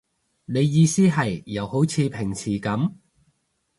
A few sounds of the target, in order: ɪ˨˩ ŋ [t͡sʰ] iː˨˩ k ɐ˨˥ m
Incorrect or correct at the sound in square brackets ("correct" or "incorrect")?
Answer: correct